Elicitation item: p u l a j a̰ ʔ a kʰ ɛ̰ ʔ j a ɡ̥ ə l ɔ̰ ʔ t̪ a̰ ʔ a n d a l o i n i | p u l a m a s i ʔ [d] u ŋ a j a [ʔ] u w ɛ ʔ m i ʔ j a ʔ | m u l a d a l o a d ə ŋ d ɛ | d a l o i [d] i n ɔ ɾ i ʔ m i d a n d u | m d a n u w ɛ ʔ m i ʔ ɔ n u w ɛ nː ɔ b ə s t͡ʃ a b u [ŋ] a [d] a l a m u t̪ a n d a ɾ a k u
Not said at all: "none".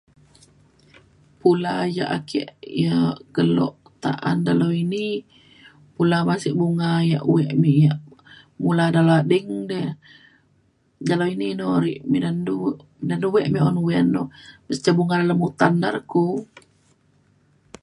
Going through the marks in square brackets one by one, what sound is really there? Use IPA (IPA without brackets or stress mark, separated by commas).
b, ʔ, n, ŋ, d